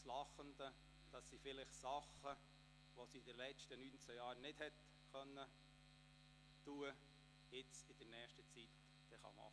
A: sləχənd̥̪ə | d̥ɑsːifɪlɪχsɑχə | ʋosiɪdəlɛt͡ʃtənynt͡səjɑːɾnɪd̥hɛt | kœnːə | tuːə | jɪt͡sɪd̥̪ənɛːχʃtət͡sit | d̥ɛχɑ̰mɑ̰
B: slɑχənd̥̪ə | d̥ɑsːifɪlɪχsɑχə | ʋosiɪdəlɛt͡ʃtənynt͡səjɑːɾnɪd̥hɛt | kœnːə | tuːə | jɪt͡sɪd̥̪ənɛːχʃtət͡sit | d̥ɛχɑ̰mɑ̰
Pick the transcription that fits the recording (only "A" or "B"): B